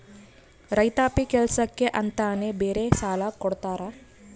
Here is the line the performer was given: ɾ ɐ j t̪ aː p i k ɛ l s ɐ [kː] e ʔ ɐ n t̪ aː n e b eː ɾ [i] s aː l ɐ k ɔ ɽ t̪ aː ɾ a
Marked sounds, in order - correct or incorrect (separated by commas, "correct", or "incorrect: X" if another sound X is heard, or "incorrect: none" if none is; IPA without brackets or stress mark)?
correct, incorrect: e